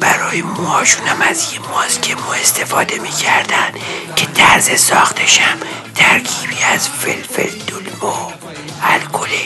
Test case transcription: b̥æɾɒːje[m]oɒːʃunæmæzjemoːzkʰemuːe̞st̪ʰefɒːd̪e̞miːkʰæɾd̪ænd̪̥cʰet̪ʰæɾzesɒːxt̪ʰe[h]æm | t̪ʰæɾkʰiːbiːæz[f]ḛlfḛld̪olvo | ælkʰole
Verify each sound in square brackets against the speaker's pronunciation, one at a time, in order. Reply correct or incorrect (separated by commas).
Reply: correct, incorrect, correct